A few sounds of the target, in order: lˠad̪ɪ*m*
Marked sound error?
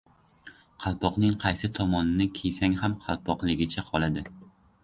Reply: yes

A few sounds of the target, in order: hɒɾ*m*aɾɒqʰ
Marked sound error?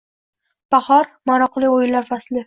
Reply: no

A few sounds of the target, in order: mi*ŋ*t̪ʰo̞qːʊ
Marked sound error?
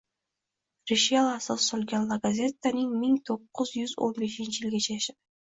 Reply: no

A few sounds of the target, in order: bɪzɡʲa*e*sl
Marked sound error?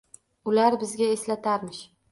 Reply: no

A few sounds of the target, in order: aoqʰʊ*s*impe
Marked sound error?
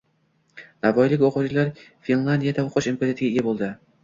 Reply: yes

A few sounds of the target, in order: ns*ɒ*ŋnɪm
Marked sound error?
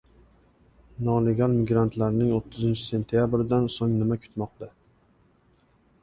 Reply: yes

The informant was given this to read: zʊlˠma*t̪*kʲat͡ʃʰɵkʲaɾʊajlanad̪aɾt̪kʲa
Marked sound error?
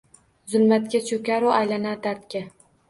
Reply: no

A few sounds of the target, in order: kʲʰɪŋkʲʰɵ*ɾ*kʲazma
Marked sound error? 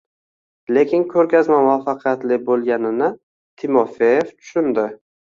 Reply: no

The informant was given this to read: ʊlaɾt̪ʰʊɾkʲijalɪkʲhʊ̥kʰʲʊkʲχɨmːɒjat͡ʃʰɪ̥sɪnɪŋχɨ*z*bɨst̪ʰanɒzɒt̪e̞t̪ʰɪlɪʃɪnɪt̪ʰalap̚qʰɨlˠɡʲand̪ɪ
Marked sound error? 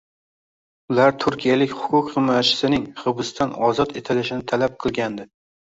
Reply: yes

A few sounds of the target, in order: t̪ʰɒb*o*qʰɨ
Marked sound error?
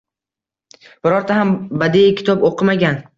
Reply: no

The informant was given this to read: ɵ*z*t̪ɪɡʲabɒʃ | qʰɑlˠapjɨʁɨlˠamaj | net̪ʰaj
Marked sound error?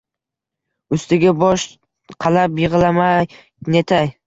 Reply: yes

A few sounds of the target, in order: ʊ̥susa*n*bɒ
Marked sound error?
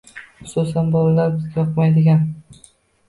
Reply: no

